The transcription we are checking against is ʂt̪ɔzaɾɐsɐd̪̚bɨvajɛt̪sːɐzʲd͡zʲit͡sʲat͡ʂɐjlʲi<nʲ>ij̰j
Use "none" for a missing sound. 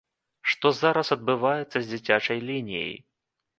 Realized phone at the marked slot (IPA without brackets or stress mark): nʲ